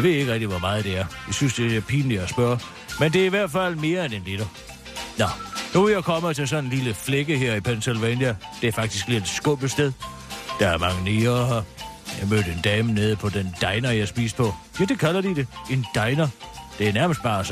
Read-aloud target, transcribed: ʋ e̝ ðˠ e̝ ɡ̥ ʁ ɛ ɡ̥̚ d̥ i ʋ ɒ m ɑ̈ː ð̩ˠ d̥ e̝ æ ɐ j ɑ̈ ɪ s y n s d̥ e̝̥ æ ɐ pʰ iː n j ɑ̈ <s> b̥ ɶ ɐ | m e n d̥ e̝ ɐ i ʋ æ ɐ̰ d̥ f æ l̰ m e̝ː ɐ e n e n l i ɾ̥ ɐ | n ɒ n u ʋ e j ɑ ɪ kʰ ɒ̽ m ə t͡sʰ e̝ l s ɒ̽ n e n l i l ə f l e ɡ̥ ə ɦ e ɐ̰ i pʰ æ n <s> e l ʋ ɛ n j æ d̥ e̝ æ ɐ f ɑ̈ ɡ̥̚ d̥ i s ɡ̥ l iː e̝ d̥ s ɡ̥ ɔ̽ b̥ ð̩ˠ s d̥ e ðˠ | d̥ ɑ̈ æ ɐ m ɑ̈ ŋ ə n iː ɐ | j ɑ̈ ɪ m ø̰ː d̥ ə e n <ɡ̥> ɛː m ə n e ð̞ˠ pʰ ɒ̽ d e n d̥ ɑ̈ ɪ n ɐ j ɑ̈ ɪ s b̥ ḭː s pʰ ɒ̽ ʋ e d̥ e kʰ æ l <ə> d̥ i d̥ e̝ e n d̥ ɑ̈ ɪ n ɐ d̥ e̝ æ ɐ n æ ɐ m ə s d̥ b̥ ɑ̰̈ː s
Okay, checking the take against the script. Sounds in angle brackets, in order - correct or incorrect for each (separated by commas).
correct, correct, incorrect, incorrect